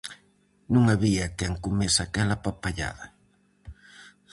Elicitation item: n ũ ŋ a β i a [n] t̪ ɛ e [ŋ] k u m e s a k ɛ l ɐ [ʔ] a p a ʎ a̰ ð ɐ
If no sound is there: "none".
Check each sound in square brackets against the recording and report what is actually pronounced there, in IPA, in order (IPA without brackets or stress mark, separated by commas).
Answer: none, ŋ, p